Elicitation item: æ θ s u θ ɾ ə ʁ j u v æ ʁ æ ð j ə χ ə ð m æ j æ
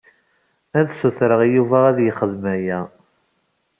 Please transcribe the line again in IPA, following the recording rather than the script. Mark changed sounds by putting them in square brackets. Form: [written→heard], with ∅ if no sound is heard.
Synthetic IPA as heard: æ [θ→ð] s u θ ɾ ə ʁ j u v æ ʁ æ ð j ə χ ə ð m æ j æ